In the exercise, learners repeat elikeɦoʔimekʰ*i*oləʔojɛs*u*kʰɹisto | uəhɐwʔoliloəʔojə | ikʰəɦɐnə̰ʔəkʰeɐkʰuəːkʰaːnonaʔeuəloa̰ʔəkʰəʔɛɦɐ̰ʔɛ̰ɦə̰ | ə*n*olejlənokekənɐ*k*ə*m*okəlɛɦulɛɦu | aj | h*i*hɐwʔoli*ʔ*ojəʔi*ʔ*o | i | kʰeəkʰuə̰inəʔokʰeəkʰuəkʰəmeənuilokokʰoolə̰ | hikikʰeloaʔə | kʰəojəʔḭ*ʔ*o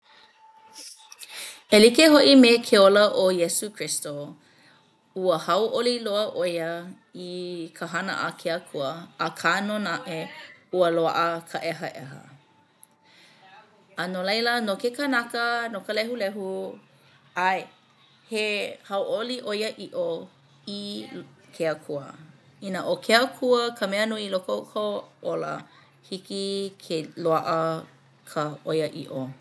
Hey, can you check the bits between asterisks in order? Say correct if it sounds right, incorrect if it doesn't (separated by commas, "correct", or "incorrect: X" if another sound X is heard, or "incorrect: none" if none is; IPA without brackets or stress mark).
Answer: incorrect: e, correct, correct, correct, incorrect: n, incorrect: e, correct, correct, correct